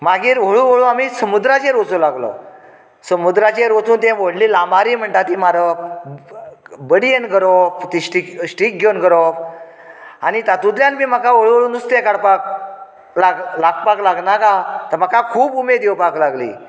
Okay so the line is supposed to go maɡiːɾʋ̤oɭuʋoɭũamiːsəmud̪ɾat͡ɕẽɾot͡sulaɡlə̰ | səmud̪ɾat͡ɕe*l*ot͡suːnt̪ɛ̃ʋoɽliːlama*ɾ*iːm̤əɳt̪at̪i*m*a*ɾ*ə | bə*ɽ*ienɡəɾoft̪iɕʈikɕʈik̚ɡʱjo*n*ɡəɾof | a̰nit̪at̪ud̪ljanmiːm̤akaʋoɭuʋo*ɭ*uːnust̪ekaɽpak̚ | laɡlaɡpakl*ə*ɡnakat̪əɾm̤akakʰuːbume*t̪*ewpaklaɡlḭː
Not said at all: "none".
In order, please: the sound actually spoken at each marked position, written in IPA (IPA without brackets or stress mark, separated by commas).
ɾ, ɾ, m, ɾ, ɽ, n, ɭ, a, d̪